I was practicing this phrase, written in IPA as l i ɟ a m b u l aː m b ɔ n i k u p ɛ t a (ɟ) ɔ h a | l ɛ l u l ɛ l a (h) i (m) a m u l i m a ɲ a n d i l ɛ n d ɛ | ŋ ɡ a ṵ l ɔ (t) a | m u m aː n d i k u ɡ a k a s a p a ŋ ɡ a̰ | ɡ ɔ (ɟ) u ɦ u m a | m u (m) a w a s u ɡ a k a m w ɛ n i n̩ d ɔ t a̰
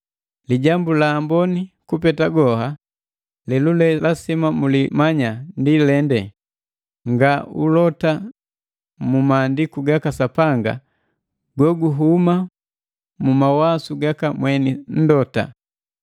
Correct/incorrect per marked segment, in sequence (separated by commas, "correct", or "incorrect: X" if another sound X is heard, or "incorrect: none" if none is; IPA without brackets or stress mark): incorrect: ɡ, incorrect: s, correct, correct, incorrect: ɡ, correct